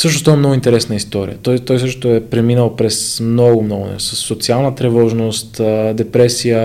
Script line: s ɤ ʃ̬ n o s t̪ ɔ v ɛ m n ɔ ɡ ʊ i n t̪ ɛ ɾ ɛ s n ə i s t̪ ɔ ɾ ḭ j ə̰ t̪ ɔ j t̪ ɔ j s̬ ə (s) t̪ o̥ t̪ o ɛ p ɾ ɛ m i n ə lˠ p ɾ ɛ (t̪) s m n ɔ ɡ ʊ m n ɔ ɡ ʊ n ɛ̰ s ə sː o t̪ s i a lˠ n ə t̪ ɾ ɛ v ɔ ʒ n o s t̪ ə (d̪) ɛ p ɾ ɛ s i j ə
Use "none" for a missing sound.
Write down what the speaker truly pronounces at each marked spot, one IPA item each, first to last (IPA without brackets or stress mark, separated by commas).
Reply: ʃ, none, d̪